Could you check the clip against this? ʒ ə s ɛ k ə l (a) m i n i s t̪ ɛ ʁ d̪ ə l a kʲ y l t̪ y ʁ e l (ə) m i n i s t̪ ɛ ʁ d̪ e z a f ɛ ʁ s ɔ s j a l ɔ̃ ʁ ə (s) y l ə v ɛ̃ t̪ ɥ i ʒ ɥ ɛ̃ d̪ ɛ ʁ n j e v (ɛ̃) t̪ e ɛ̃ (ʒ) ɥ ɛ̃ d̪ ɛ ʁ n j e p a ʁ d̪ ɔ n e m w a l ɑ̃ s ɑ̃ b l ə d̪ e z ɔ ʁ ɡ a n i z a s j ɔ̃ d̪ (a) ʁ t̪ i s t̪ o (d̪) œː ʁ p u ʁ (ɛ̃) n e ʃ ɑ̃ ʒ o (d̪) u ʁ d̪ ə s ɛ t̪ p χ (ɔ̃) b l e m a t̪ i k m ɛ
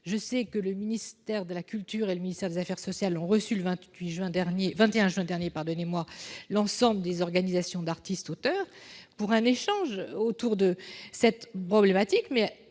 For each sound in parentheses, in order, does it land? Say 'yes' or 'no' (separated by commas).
no, yes, yes, yes, yes, yes, no, yes, no, no